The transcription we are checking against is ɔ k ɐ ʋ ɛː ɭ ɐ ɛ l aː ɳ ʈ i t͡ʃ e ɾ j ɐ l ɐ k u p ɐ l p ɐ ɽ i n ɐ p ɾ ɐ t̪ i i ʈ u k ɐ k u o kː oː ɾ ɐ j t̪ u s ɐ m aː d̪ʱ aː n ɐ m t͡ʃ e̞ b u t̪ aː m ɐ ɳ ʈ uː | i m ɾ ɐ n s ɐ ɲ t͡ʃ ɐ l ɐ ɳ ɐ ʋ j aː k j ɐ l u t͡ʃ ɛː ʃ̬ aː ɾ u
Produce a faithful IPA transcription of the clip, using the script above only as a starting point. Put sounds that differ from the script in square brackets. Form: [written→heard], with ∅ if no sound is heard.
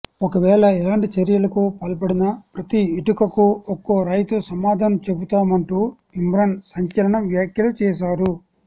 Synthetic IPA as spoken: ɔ k ɐ ʋ ɛː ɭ ɐ ɛ l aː ɳ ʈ i t͡ʃ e ɾ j ɐ l ɐ k u p ɐ l p ɐ ɽ i n ɐ p ɾ ɐ t̪ i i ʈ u k ɐ k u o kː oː ɾ ɐ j t̪ u s ɐ m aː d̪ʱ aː n ɐ m t͡ʃ e̞ b u t̪ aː m ɐ ɳ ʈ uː | i m ɾ ɐ n s ɐ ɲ t͡ʃ ɐ l ɐ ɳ ɐ ʋ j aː k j ɐ l u t͡ʃ ɛː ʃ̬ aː ɾ u

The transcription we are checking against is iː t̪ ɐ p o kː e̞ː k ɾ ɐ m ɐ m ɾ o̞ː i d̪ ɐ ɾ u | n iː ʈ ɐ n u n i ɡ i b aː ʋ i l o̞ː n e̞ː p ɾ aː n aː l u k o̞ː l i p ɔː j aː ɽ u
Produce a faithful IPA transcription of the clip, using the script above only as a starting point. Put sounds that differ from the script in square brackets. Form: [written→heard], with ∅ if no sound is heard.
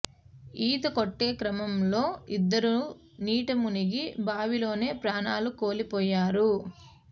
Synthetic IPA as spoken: iː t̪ ɐ [p→k] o [kː→ʈː] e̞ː k ɾ ɐ m ɐ m [ɾ→l] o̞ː i [d̪→d̪ː] ɐ ɾ u | n iː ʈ ɐ [n→m] u n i ɡ i b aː ʋ i l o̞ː n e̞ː p ɾ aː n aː l u k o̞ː l i p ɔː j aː [ɽ→ɾ] u

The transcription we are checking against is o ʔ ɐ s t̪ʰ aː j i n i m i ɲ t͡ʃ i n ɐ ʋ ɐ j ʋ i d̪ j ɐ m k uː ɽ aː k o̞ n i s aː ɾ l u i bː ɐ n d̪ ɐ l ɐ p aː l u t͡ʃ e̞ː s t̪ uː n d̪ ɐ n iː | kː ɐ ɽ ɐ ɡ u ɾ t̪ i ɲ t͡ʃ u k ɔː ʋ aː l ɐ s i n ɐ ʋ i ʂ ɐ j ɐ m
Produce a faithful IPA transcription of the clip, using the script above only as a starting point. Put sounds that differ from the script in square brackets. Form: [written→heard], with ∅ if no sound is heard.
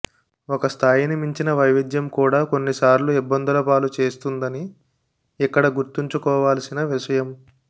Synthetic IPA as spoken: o [ʔ→k] ɐ s t̪ʰ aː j i n i m i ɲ t͡ʃ i n ɐ ʋ ɐ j ʋ i d̪ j ɐ m k uː ɽ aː k o̞ [n→nː] i s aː ɾ l u i bː ɐ n d̪ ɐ l ɐ p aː l u t͡ʃ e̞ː s t̪ [uː→u] n d̪ ɐ n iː | kː ɐ ɽ ɐ ɡ u ɾ t̪ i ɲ t͡ʃ u k ɔː ʋ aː l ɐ s i n ɐ ʋ i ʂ ɐ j ɐ m

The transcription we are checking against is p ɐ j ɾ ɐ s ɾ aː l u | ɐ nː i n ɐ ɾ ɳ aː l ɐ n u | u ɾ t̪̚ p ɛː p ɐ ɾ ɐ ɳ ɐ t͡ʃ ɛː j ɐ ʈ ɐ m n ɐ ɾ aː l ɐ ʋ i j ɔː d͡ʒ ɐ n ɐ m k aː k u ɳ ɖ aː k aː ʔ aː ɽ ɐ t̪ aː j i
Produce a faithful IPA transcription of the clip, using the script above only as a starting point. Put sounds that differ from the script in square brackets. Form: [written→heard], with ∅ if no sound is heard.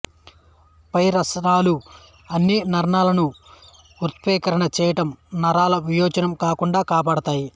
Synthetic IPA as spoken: p ɐ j ɾ ɐ s ɾ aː l u | ɐ nː i n ɐ ɾ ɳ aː l ɐ n u | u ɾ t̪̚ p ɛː [p→k] ɐ ɾ ɐ ɳ ɐ t͡ʃ ɛː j ɐ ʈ ɐ m n ɐ ɾ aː l ɐ ʋ i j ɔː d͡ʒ ɐ n ɐ m k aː k u ɳ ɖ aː k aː [ʔ→p] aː ɽ ɐ t̪ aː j i

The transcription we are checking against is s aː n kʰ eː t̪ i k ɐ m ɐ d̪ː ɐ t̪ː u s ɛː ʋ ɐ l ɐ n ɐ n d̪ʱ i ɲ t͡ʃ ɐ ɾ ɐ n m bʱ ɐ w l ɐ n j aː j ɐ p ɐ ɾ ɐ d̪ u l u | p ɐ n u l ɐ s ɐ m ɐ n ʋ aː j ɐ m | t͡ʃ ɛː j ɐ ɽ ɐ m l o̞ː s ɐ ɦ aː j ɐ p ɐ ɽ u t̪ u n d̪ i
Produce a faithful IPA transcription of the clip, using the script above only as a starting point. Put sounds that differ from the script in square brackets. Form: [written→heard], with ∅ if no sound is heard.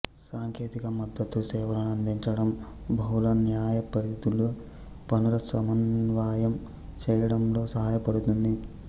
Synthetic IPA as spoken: s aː [n→ŋ] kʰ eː t̪ i k ɐ m ɐ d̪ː ɐ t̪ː u s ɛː ʋ ɐ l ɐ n ɐ n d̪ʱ i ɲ t͡ʃ ɐ [ɾ→ɽ] ɐ [n→∅] m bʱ ɐ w l ɐ n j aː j ɐ p ɐ ɾ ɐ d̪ u l u | p ɐ n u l ɐ s ɐ m ɐ n ʋ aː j ɐ m | t͡ʃ ɛː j ɐ ɽ ɐ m l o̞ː s ɐ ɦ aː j ɐ p ɐ ɽ u t̪ u n d̪ i

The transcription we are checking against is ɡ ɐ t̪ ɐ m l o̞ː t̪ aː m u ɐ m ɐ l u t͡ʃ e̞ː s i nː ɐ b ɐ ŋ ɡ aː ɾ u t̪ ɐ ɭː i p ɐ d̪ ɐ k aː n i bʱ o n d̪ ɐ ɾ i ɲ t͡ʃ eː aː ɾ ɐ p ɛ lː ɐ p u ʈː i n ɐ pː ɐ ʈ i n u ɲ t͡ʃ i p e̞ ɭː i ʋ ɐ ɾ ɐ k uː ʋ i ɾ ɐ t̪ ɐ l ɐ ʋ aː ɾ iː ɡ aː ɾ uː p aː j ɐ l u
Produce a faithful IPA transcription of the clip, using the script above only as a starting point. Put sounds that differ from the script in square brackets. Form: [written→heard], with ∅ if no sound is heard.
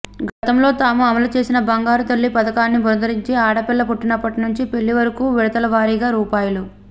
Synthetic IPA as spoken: ɡ ɐ t̪ ɐ m l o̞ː t̪ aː m u ɐ m ɐ l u t͡ʃ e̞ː s i [nː→n] ɐ b ɐ ŋ ɡ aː ɾ u t̪ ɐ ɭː i p ɐ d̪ ɐ k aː [n→nː] i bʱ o n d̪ ɐ ɾ i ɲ t͡ʃ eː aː [ɾ→ɽ] ɐ p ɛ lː ɐ p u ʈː i n ɐ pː ɐ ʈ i n u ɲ t͡ʃ i p e̞ ɭː i ʋ ɐ ɾ ɐ k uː ʋ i [ɾ→ɽ] ɐ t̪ ɐ l ɐ ʋ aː ɾ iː ɡ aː ɾ uː p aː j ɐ l u

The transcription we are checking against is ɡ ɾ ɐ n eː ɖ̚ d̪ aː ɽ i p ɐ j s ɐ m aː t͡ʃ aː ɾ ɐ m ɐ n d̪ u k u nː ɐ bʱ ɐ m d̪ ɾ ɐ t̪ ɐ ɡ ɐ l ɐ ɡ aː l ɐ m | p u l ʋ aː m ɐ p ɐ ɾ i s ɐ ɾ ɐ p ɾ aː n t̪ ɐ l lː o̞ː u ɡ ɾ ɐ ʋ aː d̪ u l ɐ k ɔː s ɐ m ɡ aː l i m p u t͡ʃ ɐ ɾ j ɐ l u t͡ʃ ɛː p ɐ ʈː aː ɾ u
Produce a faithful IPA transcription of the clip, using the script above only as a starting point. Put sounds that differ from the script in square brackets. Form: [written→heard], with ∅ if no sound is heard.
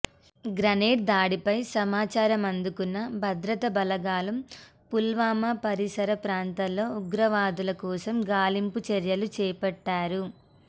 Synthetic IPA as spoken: ɡ ɾ ɐ n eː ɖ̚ d̪ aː ɽ i p ɐ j s ɐ m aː t͡ʃ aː ɾ ɐ m ɐ n d̪ u k u nː ɐ bʱ ɐ [m→∅] d̪ ɾ ɐ t̪ ɐ [ɡ→b] ɐ l ɐ ɡ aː l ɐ m | p u l ʋ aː m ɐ p ɐ ɾ i s ɐ ɾ ɐ p ɾ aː n t̪ ɐ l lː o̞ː u ɡ ɾ ɐ ʋ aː d̪ u l ɐ k ɔː s ɐ m ɡ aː l i m p u t͡ʃ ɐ ɾ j ɐ l u t͡ʃ ɛː p ɐ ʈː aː ɾ u

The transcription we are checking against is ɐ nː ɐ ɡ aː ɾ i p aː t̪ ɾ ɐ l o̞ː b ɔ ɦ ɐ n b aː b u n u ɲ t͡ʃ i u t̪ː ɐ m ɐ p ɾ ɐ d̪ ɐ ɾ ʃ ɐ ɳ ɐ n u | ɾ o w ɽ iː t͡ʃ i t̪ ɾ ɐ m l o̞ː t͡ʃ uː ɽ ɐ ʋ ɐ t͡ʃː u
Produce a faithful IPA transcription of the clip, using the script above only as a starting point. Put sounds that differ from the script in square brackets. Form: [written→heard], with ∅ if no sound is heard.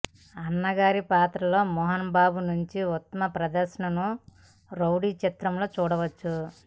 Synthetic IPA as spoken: ɐ nː ɐ ɡ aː ɾ i p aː t̪ ɾ ɐ l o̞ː [b→m] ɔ ɦ ɐ n b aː b u n u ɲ t͡ʃ i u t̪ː ɐ m ɐ p ɾ ɐ d̪ ɐ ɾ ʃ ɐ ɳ ɐ n u | ɾ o w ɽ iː t͡ʃ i t̪ ɾ ɐ m l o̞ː t͡ʃ uː ɽ ɐ ʋ ɐ t͡ʃː u

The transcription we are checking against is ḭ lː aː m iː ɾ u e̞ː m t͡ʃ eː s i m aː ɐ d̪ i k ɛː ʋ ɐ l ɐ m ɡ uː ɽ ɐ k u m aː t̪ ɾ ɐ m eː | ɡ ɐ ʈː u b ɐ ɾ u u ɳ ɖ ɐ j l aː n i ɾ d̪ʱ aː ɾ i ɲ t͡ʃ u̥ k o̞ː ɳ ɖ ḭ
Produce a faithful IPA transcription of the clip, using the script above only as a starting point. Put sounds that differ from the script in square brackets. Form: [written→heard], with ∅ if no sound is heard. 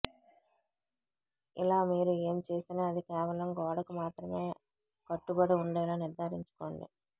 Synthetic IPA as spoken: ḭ [lː→l] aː m iː ɾ u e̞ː m t͡ʃ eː s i [m→n] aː ɐ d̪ i k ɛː ʋ ɐ l ɐ m ɡ [uː→ɔː] ɽ ɐ k u m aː t̪ ɾ ɐ m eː | [ɡ→k] ɐ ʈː u b ɐ [ɾ→ɽ] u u ɳ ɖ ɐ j l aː n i ɾ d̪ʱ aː ɾ i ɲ t͡ʃ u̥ k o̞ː ɳ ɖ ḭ

